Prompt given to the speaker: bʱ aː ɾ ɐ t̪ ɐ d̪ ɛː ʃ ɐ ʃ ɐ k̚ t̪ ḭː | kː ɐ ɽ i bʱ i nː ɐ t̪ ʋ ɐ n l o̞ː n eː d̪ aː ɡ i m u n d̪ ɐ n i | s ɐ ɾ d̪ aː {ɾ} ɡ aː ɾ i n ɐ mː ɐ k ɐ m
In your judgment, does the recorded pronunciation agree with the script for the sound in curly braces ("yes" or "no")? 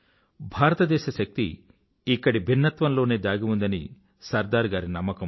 yes